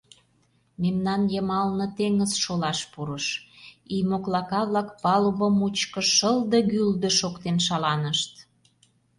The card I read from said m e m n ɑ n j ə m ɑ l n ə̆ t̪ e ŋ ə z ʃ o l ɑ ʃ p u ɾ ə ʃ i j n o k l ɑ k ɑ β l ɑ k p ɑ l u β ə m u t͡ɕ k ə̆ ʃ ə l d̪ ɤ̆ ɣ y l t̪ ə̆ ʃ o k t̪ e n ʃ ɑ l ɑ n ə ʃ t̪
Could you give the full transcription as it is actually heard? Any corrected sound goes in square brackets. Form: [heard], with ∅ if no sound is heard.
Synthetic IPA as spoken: m e m n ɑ n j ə m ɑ l n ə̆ t̪ e ŋ ə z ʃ o l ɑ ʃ p u ɾ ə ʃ i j [m] o k l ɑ k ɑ β l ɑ k p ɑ l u β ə m u t͡ɕ k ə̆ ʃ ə l d̪ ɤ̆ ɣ y l [d̪] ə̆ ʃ o k t̪ e n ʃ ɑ l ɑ n ə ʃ t̪